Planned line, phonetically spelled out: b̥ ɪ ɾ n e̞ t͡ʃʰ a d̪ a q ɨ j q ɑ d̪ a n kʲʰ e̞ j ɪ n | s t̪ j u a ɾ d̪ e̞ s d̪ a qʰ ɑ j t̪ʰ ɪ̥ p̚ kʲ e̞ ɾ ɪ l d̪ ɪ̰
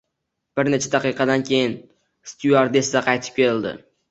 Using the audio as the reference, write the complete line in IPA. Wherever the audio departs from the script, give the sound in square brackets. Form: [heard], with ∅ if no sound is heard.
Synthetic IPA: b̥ ɪ ɾ n e̞ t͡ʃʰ a d̪ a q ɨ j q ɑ d̪ a n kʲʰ e̞ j ɪ n | s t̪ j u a ɾ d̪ e̞ s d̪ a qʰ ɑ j t̪ʰ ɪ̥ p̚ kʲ e̞ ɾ ɪ l d̪ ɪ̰